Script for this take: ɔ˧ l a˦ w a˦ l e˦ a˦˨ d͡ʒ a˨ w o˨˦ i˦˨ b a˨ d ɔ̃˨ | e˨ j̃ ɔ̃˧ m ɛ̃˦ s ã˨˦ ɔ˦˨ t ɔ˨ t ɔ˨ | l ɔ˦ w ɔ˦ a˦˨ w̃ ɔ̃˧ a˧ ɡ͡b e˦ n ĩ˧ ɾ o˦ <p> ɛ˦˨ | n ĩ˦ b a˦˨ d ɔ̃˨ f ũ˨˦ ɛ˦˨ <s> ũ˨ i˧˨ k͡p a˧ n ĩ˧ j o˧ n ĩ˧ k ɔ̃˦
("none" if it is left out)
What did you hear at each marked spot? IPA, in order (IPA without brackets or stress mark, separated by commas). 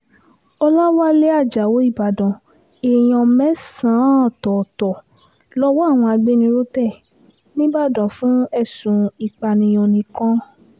t, s